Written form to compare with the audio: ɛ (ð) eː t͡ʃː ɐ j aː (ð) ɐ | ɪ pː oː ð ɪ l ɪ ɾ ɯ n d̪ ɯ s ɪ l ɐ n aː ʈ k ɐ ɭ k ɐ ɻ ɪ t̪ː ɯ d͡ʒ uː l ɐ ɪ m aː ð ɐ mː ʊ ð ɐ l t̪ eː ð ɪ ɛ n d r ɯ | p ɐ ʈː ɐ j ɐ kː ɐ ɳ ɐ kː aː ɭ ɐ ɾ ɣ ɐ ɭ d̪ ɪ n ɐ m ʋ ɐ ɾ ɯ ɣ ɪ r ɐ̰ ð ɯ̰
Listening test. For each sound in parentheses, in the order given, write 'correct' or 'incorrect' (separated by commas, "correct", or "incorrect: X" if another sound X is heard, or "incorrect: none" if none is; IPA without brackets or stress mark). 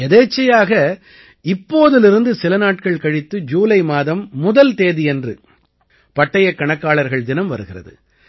correct, incorrect: ɣ